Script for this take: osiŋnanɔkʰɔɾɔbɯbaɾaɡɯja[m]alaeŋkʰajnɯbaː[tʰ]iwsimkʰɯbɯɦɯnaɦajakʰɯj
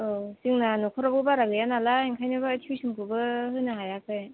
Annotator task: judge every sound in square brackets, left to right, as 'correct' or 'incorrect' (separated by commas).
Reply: incorrect, correct